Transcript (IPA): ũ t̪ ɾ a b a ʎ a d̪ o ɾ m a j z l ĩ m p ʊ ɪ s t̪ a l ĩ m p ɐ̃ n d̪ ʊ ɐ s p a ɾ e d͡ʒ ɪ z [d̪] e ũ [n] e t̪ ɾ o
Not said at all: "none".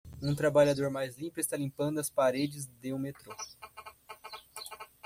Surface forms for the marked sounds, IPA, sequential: d̪, m

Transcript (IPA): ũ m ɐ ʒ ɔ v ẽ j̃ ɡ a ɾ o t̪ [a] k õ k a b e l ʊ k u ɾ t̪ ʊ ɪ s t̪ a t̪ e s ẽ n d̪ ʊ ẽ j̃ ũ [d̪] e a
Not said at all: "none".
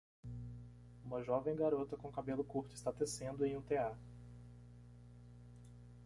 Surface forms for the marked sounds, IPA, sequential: ɐ, t̪

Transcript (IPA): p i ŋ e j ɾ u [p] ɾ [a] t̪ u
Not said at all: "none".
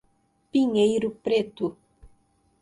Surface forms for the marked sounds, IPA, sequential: p, e

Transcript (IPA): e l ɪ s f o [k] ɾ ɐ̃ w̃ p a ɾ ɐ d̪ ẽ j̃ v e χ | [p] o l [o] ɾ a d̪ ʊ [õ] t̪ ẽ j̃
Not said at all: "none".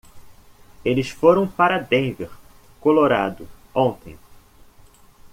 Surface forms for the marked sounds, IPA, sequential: none, k, o, õ

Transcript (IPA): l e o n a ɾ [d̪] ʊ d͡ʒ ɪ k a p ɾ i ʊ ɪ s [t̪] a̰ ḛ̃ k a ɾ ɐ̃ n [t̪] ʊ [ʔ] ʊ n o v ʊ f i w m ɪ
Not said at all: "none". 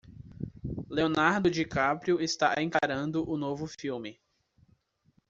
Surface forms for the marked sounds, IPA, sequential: d̪, t̪, d̪, ʔ

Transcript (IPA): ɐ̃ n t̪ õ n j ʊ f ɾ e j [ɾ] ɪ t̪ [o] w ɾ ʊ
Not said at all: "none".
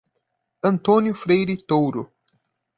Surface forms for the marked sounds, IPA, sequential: ɾ, o

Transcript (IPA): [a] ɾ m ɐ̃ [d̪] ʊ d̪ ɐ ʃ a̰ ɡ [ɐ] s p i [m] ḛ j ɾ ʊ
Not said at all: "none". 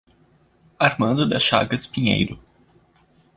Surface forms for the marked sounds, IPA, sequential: a, d̪, ɐ, ɲ

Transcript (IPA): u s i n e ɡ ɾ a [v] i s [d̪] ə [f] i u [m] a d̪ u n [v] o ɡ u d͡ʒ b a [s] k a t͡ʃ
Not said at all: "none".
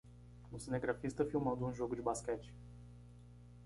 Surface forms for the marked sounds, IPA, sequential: f, t̪, f, m, ʒ, s

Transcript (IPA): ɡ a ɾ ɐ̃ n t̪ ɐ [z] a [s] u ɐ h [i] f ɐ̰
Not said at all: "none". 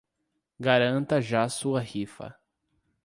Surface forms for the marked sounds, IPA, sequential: ʒ, s, i

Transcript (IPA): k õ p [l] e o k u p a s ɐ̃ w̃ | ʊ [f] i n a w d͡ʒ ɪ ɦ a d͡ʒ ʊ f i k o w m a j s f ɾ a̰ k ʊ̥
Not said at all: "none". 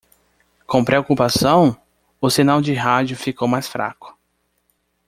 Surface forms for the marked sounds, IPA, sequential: ɾ, s

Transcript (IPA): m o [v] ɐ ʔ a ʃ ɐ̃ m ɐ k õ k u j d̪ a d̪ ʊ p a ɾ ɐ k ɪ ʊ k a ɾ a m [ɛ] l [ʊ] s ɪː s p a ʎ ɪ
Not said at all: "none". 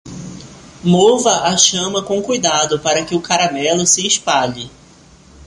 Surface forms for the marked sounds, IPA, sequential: v, ɛ, ʊ

